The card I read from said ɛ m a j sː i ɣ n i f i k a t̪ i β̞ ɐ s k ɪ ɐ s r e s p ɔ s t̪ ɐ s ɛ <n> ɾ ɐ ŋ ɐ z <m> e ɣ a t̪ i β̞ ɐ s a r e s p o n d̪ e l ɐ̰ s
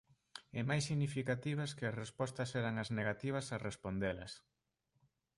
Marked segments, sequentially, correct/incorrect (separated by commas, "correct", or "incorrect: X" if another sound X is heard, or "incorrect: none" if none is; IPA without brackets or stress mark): incorrect: none, incorrect: n